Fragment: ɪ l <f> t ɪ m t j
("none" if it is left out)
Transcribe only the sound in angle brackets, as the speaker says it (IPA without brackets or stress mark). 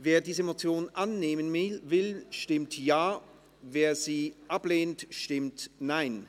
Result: ʃ